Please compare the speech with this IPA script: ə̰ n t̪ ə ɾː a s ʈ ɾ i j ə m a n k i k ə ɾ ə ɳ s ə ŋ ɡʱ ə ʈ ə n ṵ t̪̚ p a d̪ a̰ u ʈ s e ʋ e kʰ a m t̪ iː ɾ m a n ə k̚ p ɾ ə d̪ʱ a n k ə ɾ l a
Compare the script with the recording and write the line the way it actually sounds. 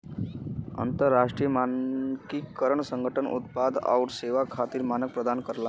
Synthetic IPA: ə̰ n t̪ ə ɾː a ʂ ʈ ɾ i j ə m a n k i k ə ɾ ə ɳ s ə ŋ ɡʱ ə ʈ ə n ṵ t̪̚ p a d̪ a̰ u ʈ s e ʋ a kʰ a t̪ iː ɾ m a n ə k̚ p ɾ ə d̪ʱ a n k ə ɾ l a